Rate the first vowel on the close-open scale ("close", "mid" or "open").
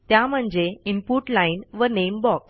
open